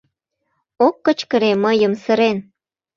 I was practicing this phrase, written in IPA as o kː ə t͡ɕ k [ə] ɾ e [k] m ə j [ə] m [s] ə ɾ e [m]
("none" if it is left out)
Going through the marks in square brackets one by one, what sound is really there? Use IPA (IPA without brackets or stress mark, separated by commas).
ə, none, ə, s, n